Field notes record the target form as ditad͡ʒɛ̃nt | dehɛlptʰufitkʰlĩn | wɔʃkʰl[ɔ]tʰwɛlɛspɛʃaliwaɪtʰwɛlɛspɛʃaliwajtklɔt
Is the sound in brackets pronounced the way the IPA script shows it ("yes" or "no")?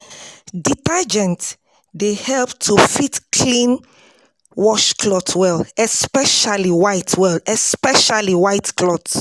yes